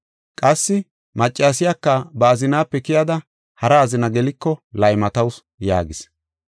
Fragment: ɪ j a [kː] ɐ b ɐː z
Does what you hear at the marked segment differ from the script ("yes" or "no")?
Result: no